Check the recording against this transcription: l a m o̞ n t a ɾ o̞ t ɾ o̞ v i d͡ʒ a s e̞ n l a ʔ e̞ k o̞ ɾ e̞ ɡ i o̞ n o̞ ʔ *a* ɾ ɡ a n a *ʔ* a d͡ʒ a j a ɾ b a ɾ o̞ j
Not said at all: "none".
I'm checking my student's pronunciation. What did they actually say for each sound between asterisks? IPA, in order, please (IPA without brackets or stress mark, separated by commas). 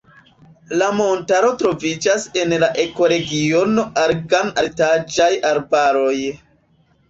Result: a, t